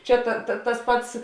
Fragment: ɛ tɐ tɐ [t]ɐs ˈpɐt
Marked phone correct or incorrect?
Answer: correct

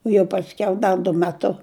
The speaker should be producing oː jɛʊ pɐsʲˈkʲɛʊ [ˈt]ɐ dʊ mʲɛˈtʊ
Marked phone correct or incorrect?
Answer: incorrect: d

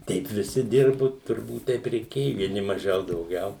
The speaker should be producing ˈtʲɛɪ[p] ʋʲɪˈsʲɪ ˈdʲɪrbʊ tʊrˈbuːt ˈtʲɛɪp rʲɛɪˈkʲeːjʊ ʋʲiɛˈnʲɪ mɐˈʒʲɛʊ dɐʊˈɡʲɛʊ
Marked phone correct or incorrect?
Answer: correct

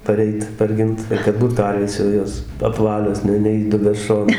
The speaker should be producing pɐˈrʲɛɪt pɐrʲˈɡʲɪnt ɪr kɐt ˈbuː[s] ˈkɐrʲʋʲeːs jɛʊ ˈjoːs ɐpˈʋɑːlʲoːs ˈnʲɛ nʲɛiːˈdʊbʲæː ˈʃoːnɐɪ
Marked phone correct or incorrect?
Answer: incorrect: t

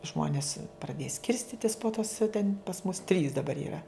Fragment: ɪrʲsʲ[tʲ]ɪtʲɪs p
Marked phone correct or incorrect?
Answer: correct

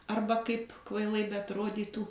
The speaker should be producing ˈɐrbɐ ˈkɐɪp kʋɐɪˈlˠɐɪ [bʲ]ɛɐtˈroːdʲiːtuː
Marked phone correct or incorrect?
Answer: correct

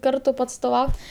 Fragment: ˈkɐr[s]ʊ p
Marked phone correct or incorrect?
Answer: incorrect: t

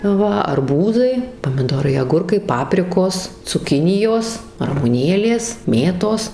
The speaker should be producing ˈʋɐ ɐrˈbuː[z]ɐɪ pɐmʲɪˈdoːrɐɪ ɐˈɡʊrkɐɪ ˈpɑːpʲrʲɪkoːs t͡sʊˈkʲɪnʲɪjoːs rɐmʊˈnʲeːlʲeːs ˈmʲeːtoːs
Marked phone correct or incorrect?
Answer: correct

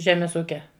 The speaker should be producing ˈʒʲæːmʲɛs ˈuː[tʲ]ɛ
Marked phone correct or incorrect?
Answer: incorrect: kʲ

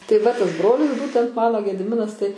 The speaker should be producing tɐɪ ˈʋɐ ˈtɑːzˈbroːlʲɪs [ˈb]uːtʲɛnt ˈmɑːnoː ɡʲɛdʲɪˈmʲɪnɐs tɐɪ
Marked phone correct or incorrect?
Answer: correct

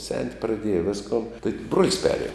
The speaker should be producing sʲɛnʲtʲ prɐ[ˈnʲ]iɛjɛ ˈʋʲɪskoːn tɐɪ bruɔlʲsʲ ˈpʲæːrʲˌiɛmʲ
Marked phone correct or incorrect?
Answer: incorrect: dʲ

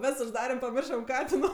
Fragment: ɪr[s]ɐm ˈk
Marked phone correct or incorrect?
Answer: incorrect: ʃ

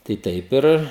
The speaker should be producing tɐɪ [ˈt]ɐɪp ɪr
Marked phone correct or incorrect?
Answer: correct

